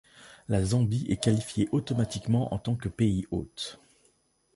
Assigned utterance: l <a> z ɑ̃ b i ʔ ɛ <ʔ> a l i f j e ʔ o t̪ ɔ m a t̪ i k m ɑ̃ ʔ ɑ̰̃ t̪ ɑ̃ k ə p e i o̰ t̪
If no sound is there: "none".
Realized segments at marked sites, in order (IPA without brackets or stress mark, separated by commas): a, k